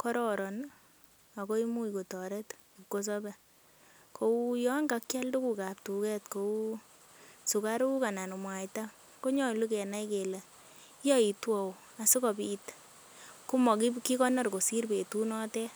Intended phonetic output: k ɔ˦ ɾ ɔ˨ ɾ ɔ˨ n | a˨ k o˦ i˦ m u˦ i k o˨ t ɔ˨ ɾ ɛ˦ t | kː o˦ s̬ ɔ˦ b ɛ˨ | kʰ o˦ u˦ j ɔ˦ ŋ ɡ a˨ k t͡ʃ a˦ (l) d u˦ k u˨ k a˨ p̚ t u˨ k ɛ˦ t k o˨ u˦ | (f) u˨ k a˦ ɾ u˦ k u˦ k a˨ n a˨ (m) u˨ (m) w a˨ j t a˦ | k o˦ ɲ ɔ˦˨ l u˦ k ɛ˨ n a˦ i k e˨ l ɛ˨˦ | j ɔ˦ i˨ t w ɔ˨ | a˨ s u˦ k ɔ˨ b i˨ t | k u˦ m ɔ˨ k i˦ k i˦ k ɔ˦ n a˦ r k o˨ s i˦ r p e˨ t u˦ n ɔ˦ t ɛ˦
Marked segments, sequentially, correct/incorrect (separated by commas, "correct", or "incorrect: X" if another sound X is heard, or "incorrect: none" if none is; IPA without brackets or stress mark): correct, incorrect: s, incorrect: n, correct